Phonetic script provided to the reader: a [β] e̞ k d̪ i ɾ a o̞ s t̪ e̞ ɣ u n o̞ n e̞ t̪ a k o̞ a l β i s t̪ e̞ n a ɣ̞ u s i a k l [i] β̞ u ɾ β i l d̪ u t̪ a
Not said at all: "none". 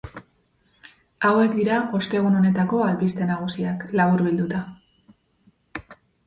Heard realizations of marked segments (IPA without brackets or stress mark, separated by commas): w, a